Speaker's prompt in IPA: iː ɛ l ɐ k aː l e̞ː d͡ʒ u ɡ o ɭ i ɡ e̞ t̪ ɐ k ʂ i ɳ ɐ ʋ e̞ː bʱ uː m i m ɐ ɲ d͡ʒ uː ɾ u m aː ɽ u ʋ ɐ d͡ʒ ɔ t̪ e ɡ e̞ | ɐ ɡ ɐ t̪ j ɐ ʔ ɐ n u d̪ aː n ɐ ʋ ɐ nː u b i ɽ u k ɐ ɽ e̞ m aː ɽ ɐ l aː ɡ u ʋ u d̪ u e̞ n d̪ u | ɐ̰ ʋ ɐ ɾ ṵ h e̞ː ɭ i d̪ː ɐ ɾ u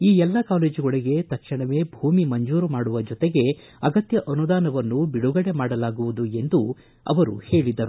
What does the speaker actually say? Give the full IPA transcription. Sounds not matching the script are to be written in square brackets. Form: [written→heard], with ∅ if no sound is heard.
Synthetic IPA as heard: iː ɛ [l→lː] ɐ k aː l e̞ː d͡ʒ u ɡ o ɭ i ɡ e̞ t̪ ɐ k ʂ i ɳ ɐ ʋ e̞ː bʱ uː m i m ɐ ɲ d͡ʒ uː ɾ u m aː ɽ u ʋ ɐ d͡ʒ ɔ t̪ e ɡ e̞ | ɐ ɡ ɐ t̪ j ɐ ʔ ɐ n u d̪ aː n ɐ ʋ ɐ nː u b i ɽ u [k→ɡ] ɐ ɽ e̞ m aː ɽ ɐ l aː ɡ u ʋ u d̪ u e̞ n d̪ u | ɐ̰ ʋ ɐ ɾ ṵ h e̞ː ɭ i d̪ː ɐ ɾ u